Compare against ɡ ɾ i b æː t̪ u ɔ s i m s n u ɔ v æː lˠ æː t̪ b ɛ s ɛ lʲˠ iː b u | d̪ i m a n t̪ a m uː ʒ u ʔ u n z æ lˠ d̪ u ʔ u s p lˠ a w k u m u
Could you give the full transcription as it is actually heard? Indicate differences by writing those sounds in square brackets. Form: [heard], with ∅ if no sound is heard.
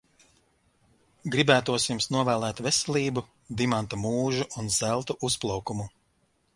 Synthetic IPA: ɡ ɾ i b æː t̪ u ɔ s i m s n u ɔ v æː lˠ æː t̪ [v] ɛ s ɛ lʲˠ iː b u | d̪ i m a n t̪ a m uː ʒ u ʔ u n z æ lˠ [t̪] u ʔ u s p lˠ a w k u m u